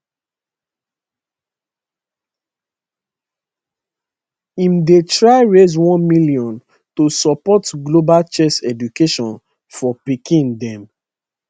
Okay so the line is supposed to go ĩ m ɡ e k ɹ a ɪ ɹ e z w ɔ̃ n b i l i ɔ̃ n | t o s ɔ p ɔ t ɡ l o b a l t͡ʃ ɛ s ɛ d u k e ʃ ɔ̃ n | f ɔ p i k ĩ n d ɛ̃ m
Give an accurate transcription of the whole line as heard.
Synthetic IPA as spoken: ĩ m d e t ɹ a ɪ ɹ e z w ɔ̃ n m i l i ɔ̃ n | t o s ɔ p ɔ t ɡ l o b a l t͡ʃ ɛ s ɛ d u k e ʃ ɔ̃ n | f ɔ p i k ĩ n d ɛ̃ m